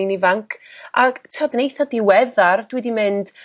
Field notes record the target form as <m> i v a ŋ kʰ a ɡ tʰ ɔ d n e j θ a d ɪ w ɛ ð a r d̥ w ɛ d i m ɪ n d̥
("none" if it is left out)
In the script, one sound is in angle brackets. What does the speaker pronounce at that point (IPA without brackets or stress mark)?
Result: n